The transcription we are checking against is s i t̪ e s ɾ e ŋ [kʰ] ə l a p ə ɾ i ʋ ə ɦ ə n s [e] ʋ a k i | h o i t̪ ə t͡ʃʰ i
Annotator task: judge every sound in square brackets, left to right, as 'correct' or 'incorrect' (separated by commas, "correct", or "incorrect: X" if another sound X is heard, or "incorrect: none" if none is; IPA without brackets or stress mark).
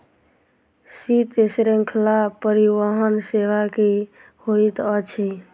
correct, correct